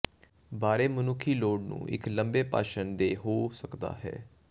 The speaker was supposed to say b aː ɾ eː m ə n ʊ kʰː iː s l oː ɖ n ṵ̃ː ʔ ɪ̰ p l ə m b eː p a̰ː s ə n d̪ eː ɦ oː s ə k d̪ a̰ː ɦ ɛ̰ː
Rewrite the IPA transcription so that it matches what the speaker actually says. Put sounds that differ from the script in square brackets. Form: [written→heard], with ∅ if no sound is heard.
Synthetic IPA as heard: b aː ɾ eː m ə n ʊ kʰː iː [s→∅] l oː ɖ n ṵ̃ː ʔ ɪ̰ [p→k] l ə m b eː p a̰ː [s→ʃ] ə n d̪ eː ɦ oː s ə k d̪ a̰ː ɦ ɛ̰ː